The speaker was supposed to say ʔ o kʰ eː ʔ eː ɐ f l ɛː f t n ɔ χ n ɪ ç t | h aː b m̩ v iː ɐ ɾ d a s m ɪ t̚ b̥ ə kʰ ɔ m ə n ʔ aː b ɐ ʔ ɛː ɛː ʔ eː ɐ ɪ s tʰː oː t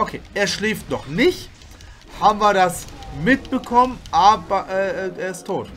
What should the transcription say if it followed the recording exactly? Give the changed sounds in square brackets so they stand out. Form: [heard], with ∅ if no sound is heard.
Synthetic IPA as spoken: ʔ o kʰ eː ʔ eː ɐ [ʃ] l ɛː f t n ɔ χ n ɪ ç t | h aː b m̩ v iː ɐ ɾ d a s m ɪ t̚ b̥ ə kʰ ɔ m ə n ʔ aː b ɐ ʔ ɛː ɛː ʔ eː ɐ ɪ s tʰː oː t

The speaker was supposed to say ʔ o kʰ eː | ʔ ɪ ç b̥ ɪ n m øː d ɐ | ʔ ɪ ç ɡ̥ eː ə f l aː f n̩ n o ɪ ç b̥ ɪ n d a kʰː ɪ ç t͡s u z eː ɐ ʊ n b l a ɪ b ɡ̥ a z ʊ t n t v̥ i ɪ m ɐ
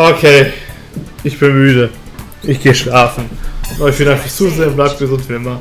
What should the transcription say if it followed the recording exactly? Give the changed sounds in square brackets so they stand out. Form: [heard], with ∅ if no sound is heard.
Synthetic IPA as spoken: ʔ o kʰ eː | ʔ ɪ ç b̥ ɪ n m [yː] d [ə] | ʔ ɪ ç ɡ̥ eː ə [ʃ] l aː f n̩ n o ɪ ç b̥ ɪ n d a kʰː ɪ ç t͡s u z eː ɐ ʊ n b l a ɪ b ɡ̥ [ə] z ʊ [∅] n t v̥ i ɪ m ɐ

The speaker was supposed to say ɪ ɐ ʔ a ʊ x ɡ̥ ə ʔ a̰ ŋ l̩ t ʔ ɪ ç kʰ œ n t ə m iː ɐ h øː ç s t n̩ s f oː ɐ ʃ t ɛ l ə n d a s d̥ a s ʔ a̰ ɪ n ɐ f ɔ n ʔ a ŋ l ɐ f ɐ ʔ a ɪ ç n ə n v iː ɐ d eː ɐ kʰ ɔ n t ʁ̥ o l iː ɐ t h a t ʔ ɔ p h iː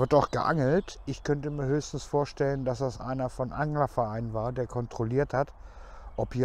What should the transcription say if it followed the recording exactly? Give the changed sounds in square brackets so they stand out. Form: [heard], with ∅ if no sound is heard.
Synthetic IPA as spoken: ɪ ɐ [t] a ʊ x ɡ̥ ə ʔ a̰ ŋ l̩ t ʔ ɪ ç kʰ œ n t ə m iː ɐ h øː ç s t n̩ s f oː ɐ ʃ t ɛ l ə n d a s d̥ a s ʔ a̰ ɪ n ɐ f ɔ n ʔ a ŋ l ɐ f ɐ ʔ a ɪ [∅] n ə n v [aː] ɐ d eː ɐ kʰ ɔ n t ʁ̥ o l iː ɐ t h a t ʔ ɔ p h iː

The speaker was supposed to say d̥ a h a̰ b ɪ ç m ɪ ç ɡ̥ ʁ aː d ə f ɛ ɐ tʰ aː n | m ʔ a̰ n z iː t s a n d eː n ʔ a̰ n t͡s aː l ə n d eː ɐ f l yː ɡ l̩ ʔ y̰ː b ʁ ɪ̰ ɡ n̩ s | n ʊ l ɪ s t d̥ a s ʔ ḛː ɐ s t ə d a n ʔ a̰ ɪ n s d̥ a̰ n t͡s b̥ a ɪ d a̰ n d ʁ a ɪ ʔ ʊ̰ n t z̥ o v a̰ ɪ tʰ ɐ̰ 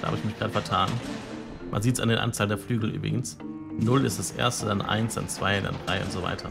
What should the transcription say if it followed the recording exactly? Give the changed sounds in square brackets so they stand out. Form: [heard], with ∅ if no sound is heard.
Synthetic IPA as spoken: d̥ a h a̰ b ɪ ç m ɪ ç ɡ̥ ʁ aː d ə f ɛ ɐ tʰ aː n | m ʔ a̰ n z iː t s a n d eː n ʔ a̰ n t͡s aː l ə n d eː ɐ f l yː ɡ l̩ ʔ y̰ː b ʁ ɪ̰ ɡ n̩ s | n ʊ l ɪ s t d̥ a s ʔ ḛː ɐ s t ə d a n ʔ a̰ ɪ n s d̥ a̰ n t͡s [v̥] a ɪ d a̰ n d ʁ a ɪ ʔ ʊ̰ n t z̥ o v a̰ ɪ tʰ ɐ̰

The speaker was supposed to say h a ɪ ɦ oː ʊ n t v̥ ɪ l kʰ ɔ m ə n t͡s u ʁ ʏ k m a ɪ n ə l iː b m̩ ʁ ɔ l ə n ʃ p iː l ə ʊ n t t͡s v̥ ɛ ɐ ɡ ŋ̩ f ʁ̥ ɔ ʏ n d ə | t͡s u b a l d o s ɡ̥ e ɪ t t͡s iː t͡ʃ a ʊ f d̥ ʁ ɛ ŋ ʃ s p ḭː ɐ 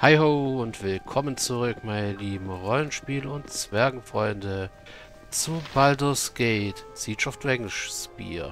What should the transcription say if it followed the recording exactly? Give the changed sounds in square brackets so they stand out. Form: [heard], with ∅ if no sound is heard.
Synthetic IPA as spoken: h a ɪ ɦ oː ʊ n t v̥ ɪ l kʰ ɔ m ə n t͡s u ʁ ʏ k m a ɪ n ə l iː b m̩ ʁ ɔ l ə n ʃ p iː l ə ʊ n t t͡s v̥ ɛ ɐ ɡ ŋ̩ f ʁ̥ ɔ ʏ n d ə | t͡s u b a l d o s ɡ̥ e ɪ t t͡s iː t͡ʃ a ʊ f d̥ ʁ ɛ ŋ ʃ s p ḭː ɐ

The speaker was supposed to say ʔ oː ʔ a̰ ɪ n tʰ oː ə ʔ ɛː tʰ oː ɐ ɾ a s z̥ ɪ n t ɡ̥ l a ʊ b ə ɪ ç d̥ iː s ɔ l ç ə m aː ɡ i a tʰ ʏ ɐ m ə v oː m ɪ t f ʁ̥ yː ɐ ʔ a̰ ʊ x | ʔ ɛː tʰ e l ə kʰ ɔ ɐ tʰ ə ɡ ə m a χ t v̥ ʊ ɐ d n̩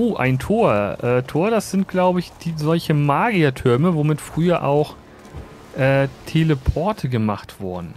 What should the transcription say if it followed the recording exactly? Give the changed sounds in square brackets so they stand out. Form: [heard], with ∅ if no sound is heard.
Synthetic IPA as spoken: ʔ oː ʔ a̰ ɪ n tʰ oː [ɐ] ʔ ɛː tʰ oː ɐ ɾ a s z̥ ɪ n t ɡ̥ l a ʊ b ə ɪ ç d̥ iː [z] ɔ l ç ə m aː ɡ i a tʰ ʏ ɐ m ə v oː m ɪ t f ʁ̥ yː ɐ ʔ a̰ ʊ x | ʔ ɛː tʰ e l ə [pʰ] ɔ ɐ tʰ ə ɡ ə m a χ t v̥ ʊ ɐ d n̩

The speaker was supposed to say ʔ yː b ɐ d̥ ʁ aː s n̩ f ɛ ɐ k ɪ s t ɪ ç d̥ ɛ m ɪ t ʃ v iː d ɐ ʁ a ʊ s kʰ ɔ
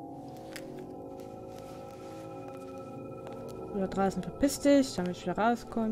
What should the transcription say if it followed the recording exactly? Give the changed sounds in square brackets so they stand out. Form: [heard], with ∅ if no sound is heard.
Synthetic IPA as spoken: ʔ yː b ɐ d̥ ʁ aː s n̩ f ɛ ɐ [p] ɪ s t ɪ ç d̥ [a] m ɪ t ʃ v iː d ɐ ʁ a ʊ s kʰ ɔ

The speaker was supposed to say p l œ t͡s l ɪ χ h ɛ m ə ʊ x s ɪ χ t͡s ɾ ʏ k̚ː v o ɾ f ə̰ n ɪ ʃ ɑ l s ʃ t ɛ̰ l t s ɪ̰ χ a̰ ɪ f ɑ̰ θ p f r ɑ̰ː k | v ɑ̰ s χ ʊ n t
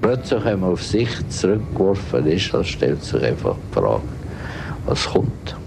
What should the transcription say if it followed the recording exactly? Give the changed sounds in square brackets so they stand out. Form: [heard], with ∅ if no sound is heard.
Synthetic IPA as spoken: p l œ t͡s l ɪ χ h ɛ m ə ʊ [f] s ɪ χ t͡s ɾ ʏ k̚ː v [ɔ] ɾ f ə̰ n ɪ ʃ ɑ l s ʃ t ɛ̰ l t s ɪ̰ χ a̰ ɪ f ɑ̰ [χ] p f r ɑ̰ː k | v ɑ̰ s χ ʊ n t

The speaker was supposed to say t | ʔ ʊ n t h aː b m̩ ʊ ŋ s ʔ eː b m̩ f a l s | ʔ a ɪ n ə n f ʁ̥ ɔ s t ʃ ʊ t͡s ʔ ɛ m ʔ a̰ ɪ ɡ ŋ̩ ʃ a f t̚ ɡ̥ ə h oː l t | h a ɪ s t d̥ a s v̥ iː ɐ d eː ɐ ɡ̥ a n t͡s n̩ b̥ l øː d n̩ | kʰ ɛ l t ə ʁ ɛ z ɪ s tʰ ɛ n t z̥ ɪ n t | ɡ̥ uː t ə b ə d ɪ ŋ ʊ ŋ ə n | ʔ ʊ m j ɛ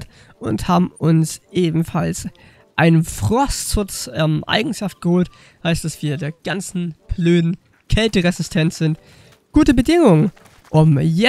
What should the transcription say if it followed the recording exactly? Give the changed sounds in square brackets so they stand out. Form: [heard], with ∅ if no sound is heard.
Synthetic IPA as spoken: t | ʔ ʊ n t h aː b m̩ ʊ [n] s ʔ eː b m̩ f a l s | ʔ a ɪ n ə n f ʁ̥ ɔ s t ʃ ʊ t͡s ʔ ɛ m ʔ a̰ ɪ ɡ ŋ̩ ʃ a f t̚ ɡ̥ ə h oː l t | h a ɪ s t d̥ a s v̥ iː ɐ d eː ɐ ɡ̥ a n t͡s n̩ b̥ l øː d n̩ | kʰ ɛ l t ə ʁ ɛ z ɪ s tʰ ɛ n t z̥ ɪ n t | ɡ̥ uː t ə b ə d ɪ ŋ ʊ ŋ ə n | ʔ ʊ m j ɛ

